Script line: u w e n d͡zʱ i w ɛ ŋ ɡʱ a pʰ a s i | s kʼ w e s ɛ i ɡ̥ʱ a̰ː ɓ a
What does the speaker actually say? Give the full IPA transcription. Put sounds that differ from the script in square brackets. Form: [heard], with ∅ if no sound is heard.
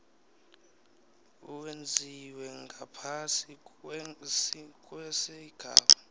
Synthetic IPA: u w e n d͡zʱ i w ɛ ŋ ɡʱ a pʰ a s i | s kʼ w [ɛ] s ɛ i ɡ̥ʱ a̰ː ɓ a